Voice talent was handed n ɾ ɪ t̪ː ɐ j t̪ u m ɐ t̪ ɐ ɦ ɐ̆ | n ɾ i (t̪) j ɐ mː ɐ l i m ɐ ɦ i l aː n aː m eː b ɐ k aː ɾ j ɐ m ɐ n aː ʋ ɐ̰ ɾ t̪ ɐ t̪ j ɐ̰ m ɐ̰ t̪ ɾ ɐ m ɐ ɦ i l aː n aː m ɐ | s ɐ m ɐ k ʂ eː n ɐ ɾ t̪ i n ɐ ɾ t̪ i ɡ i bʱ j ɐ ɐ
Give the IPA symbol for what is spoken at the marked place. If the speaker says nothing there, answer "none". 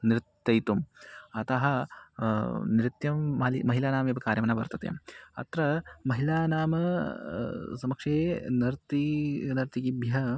t̪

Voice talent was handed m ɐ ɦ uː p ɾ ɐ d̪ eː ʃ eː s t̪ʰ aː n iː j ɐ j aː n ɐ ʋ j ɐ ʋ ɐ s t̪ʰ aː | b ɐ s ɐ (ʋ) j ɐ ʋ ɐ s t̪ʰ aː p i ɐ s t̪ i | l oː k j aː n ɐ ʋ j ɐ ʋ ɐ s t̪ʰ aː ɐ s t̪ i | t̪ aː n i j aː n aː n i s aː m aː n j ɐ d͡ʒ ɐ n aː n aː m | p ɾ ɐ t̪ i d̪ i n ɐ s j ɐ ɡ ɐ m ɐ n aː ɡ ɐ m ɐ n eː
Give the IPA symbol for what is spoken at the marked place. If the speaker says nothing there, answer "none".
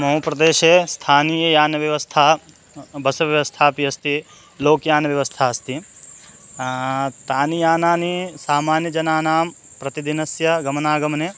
ʋ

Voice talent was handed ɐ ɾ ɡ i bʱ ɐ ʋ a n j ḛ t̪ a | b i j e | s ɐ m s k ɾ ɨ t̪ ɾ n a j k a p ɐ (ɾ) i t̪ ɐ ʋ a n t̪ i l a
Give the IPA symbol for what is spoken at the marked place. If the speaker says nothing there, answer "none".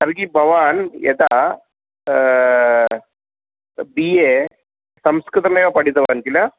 ɽ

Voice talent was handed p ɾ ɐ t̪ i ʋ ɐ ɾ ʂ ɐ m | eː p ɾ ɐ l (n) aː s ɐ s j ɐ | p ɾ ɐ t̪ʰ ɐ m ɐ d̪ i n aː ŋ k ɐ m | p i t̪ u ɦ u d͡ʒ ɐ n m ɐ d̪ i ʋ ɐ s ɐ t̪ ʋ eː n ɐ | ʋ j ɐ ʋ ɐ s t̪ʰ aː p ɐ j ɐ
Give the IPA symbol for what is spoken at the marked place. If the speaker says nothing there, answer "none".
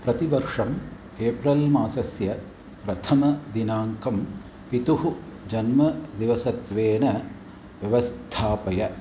m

